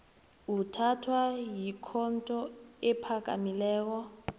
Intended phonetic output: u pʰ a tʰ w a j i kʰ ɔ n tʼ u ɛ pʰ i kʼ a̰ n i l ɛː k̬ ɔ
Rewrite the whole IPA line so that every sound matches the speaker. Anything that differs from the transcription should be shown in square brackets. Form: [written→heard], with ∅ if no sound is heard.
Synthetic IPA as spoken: u [pʰ→tʰ] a tʰ w a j i kʰ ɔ n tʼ [u→ɔ] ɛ pʰ [i→a] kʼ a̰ [n→m] i l ɛː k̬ ɔ